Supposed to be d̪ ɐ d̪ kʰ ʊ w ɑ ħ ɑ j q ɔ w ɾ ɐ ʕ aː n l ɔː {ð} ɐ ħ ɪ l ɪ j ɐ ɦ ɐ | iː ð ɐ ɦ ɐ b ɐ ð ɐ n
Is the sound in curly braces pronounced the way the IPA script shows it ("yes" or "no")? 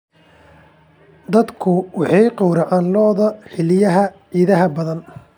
yes